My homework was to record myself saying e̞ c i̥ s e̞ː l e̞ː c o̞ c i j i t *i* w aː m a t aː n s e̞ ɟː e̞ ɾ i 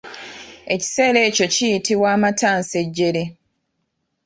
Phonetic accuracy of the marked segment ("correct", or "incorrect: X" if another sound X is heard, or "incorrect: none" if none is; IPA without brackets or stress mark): correct